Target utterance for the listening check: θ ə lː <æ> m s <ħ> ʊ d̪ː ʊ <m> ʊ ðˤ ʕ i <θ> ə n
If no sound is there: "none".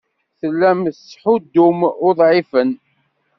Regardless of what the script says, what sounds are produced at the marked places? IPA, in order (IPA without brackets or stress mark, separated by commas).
æ, ħ, m, f